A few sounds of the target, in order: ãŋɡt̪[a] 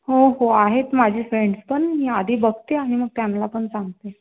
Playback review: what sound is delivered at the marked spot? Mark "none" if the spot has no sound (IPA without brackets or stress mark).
e